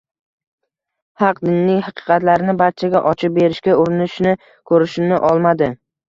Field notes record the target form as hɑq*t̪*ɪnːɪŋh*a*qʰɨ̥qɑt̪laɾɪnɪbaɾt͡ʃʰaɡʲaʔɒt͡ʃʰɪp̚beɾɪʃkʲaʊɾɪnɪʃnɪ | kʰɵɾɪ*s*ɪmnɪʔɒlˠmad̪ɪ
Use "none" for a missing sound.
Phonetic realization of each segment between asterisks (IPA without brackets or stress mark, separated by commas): d̪, ɑ, ʃ